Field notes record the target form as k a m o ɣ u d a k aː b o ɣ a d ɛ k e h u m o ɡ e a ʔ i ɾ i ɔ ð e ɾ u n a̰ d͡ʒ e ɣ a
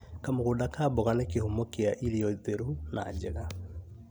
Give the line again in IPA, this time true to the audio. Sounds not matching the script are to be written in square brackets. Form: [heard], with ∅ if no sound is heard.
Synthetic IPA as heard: k a m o ɣ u d a k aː b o ɣ a [n] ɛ k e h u m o [k] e a ʔ i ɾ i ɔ ð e ɾ u n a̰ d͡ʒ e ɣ a